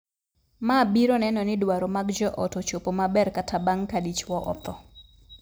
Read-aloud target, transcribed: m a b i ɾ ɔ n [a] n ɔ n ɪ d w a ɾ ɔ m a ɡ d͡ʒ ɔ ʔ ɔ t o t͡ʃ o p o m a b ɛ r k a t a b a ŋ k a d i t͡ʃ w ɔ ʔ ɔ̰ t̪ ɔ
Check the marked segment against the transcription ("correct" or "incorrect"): incorrect